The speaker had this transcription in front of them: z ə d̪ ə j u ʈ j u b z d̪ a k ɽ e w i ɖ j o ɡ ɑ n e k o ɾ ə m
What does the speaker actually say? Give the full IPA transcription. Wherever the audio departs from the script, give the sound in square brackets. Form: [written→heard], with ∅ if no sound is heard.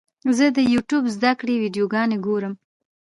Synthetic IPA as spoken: z ə d̪ ə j u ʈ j u b z d̪ a k ɽ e w i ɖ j o ɡ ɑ n e [k→ɡ] o ɾ ə m